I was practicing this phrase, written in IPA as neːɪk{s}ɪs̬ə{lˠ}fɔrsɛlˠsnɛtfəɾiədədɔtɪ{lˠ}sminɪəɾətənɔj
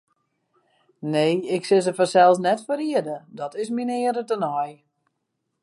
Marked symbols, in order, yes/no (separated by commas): yes, no, no